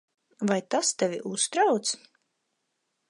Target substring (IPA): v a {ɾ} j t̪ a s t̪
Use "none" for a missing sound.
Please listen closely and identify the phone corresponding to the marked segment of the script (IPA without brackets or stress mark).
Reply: none